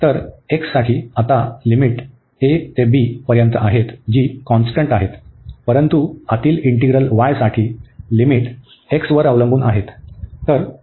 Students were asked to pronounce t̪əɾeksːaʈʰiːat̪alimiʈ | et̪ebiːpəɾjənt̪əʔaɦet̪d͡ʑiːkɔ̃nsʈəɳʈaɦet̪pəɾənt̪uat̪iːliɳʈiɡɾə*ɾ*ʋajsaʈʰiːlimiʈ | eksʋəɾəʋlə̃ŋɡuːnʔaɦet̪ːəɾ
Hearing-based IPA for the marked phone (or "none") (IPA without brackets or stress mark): l